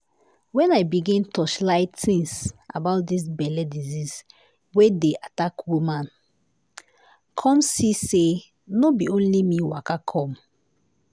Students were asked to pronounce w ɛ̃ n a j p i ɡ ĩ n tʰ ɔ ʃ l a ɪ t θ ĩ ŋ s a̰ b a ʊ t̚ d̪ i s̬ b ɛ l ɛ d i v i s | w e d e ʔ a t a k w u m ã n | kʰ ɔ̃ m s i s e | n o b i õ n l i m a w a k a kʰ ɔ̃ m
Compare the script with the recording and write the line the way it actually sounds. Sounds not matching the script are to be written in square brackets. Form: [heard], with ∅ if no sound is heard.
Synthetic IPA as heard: w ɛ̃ n a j [b] i ɡ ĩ n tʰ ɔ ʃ l a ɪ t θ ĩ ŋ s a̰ b a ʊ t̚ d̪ i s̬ b ɛ l ɛ d i [z] i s | w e d e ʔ a t a k w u m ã n | kʰ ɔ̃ m s i s e | n o b i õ n l i m [i] w a k a kʰ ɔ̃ m